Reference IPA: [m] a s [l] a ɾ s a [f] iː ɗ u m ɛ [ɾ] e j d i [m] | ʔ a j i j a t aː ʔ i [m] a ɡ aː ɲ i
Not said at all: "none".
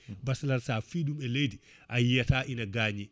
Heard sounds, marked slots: b, l, f, l, none, n

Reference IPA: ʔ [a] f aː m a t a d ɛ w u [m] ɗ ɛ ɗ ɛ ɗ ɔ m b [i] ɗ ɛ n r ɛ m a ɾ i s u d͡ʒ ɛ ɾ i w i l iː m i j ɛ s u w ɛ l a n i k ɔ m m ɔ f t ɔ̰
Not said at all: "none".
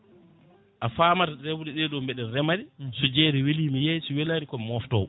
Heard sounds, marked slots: a, none, ɛ

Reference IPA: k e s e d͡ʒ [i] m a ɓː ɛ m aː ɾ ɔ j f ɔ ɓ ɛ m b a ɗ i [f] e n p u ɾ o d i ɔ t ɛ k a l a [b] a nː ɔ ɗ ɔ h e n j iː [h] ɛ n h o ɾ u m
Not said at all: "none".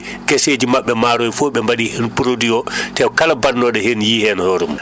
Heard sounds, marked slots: i, h, b, h

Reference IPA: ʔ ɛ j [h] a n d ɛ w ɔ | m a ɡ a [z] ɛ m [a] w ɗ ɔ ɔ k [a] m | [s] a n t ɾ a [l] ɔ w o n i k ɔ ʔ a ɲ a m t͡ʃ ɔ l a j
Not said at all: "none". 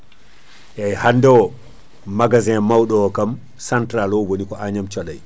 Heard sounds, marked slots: h, z, a, a, s, l

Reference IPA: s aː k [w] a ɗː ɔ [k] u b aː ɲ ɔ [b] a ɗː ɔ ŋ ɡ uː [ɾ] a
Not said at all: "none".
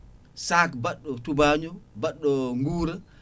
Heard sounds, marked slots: b, t, b, ɾ

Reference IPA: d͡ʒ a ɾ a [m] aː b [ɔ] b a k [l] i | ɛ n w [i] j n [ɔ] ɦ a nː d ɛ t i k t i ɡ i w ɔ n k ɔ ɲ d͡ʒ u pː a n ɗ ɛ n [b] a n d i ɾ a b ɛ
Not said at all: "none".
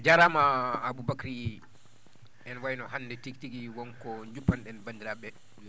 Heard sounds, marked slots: m, u, ɾ, a, ɔ, b

